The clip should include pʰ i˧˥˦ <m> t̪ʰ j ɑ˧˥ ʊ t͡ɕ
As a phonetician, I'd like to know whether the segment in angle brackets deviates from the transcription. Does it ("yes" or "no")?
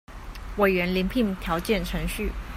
yes